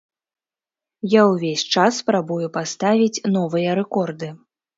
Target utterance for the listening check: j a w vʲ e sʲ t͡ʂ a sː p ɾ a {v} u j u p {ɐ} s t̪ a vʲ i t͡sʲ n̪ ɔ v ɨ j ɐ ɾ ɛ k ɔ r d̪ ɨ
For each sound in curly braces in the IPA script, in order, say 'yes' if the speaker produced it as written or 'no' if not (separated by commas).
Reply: no, no